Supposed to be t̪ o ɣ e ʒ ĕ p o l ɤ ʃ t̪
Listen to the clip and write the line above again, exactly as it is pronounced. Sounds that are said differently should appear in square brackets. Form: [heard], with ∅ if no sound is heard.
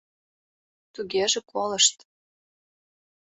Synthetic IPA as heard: t̪ [u] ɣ e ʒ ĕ [k] o l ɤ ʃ t̪